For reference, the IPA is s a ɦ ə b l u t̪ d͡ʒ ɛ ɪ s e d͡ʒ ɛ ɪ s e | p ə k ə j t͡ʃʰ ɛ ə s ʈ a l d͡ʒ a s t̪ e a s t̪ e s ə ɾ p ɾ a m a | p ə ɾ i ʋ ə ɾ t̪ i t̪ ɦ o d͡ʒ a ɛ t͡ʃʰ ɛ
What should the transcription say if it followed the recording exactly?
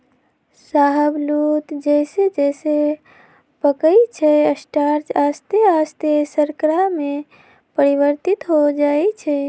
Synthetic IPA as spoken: s a ɦ ə b l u t̪ d͡ʒ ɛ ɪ s e d͡ʒ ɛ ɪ s e | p ə k ə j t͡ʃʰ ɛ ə s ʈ a ɾ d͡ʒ a s t̪ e a s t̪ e s ə ɾ k ɾ a m e | p ə ɾ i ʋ ə ɾ t̪ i t̪ ɦ o d͡ʒ a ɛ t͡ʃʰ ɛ